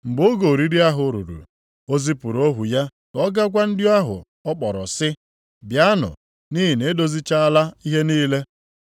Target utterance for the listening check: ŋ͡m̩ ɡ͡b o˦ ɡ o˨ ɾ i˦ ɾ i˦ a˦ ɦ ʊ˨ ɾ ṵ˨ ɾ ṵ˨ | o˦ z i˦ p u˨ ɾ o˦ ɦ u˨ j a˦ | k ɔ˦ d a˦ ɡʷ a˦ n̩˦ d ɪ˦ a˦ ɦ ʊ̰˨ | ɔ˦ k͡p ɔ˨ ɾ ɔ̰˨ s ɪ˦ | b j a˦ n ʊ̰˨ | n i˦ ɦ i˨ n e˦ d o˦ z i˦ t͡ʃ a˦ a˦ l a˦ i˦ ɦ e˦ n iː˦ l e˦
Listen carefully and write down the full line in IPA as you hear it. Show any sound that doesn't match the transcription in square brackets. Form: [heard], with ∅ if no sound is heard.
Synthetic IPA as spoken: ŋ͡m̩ ɡ͡b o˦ ɡ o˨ ɾ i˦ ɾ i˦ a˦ ɦ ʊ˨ ɾ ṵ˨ ɾ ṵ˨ | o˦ z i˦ p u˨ ɾ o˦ ɦ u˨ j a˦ | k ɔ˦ [ɡ] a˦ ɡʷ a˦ n̩˦ d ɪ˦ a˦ ɦ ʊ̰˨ | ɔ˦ k͡p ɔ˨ ɾ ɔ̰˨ s ɪ˦ | b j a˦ n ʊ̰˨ | n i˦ ɦ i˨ n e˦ d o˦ z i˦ t͡ʃ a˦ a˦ l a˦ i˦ ɦ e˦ n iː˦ l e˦